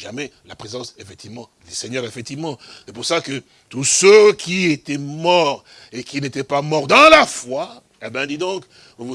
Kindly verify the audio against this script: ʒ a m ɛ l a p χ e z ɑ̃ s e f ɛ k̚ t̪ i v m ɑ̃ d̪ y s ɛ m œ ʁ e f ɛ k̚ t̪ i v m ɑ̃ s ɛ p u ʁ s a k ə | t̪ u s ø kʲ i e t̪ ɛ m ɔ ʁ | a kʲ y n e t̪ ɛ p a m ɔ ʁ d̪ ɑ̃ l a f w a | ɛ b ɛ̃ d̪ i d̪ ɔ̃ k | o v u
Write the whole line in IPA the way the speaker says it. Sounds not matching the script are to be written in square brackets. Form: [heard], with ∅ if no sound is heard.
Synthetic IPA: ʒ a m ɛ l a p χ e z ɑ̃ s e f ɛ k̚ t̪ i v m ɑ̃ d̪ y s ɛ [ɲ] œ ʁ e f ɛ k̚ t̪ i v m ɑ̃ s ɛ p u ʁ s a k ə | t̪ u s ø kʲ i e t̪ ɛ m ɔ ʁ | [e] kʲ [i] n e t̪ ɛ p a m ɔ ʁ d̪ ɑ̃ l a f w a | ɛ b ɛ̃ d̪ i d̪ ɔ̃ k | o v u